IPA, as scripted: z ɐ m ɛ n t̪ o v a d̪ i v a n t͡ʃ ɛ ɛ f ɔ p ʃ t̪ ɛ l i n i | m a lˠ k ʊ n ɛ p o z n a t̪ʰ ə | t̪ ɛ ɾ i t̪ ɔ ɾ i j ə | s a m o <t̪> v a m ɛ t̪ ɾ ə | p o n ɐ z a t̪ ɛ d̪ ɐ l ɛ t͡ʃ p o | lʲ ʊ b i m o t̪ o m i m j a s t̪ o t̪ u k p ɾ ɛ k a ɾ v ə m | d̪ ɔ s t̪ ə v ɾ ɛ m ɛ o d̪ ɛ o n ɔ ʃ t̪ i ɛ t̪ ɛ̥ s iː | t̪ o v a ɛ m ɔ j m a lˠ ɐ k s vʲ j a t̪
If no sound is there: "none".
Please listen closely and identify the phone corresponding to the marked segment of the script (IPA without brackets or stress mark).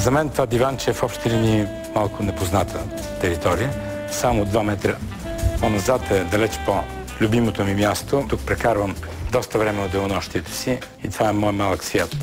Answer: d̪